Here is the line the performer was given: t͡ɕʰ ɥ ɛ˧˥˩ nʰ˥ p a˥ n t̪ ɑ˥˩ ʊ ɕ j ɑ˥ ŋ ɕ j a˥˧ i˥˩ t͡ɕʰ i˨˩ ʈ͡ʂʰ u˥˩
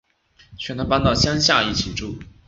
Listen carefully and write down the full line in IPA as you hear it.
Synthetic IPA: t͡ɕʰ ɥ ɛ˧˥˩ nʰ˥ p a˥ n t̪ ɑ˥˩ ʊ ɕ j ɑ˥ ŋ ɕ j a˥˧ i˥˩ t͡ɕʰ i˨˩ ʈ͡ʂ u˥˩